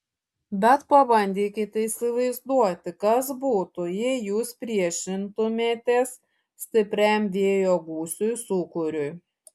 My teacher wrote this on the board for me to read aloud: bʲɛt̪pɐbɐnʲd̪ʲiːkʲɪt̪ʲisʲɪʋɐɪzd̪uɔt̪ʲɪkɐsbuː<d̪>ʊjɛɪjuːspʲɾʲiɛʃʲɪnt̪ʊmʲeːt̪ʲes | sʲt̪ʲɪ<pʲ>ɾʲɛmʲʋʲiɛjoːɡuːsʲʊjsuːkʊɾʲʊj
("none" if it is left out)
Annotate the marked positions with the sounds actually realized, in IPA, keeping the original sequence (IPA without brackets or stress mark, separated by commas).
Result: t̪, pʲ